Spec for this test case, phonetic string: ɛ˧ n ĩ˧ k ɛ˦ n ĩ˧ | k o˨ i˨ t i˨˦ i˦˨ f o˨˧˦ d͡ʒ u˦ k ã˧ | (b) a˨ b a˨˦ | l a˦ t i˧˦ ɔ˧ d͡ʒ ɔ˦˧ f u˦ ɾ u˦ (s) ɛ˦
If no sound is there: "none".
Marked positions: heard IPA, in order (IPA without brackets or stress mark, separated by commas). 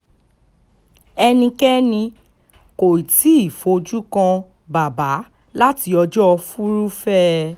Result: b, f